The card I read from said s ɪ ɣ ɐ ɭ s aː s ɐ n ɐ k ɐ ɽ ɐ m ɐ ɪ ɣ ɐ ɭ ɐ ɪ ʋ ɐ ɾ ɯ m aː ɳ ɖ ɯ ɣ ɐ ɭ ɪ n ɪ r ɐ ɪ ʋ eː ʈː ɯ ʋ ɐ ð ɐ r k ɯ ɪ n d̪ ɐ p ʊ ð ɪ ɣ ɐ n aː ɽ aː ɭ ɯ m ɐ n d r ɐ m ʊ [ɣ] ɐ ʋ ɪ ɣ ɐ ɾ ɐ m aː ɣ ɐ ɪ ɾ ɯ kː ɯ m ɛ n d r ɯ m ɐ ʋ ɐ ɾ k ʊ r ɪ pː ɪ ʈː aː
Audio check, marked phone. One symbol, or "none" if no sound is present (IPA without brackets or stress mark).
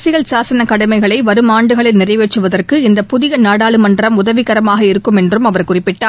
ð